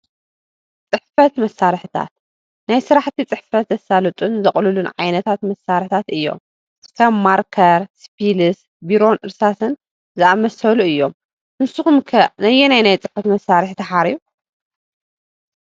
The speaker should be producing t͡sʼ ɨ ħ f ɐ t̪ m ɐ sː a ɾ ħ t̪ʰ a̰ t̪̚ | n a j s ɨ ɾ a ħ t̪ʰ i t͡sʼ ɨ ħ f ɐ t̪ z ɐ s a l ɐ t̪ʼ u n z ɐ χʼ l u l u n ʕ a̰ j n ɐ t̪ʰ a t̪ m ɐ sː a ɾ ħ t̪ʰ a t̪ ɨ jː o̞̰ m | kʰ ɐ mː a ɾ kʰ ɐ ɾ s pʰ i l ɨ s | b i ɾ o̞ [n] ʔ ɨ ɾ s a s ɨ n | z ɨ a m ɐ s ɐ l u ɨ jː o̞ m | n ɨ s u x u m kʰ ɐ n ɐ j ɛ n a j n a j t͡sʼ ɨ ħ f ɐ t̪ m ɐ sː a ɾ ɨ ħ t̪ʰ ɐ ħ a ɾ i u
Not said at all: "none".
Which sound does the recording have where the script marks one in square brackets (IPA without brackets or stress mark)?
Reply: n